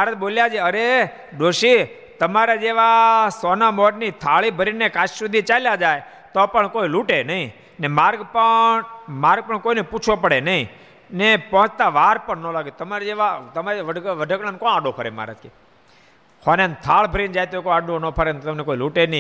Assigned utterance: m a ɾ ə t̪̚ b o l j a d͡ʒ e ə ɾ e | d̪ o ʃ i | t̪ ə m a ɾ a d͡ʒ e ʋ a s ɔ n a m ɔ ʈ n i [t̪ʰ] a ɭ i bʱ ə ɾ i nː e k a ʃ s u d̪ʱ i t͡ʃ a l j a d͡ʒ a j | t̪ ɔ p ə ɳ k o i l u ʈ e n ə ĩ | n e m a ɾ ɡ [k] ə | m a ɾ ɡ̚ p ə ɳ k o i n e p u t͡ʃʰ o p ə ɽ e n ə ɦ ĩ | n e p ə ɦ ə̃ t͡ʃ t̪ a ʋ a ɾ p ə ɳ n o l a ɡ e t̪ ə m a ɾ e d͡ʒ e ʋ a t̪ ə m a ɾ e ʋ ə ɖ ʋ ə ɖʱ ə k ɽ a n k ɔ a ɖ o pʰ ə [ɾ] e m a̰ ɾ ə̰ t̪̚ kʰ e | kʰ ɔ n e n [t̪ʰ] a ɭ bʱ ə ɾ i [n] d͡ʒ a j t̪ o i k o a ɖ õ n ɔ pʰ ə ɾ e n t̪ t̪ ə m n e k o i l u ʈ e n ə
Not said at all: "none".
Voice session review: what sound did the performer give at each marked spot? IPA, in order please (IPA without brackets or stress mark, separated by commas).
t̪ʰ, p, ɾ, t̪ʰ, n